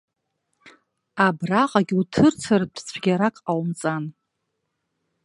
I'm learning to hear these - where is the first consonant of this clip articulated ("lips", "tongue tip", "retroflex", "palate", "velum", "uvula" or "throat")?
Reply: lips